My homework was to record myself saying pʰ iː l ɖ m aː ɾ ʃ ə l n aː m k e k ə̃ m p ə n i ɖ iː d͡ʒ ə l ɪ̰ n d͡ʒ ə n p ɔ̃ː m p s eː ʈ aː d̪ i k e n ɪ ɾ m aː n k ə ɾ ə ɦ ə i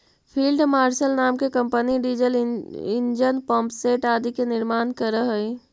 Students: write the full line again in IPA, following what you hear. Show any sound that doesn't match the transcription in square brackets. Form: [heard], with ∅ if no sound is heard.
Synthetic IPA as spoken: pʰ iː l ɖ m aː ɾ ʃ ə l n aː m k e k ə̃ m p ə n i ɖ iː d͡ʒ ə l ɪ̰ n d͡ʒ ə n p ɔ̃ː m p s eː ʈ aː d̪ i k e n ɪ ɾ m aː n k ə ɾ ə ɦ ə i